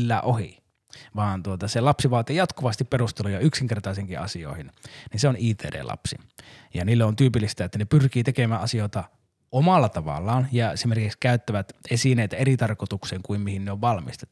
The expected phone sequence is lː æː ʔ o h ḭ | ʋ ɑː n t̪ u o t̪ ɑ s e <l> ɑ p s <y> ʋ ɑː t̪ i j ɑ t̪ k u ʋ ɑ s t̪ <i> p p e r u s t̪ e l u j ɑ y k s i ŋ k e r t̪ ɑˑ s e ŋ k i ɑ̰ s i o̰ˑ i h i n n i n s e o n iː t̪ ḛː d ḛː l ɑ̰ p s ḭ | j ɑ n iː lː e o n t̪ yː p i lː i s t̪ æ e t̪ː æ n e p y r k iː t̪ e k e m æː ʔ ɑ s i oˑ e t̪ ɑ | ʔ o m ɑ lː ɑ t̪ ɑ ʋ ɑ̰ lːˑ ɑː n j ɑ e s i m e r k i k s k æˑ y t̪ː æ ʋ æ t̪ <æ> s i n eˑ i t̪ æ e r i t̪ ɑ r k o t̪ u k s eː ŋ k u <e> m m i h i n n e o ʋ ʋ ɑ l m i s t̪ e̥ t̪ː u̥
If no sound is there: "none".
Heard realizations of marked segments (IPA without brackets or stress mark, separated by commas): l, i, i, e, i